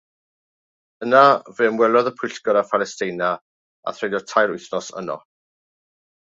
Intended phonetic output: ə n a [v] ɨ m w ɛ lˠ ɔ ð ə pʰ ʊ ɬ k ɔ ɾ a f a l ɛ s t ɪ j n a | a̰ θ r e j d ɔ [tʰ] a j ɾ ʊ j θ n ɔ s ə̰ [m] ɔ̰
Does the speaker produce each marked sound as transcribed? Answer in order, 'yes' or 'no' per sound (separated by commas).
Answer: yes, yes, no